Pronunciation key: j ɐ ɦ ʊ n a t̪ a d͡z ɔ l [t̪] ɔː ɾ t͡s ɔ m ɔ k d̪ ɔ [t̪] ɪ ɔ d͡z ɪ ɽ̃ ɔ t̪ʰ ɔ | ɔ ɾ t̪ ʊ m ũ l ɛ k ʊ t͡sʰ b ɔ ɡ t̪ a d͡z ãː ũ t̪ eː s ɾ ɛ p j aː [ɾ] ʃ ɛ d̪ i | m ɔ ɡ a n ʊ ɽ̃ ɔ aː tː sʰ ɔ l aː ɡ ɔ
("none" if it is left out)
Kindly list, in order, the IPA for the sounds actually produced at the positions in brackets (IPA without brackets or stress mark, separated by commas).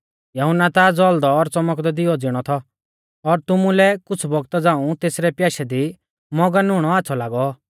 d̪, d̪, none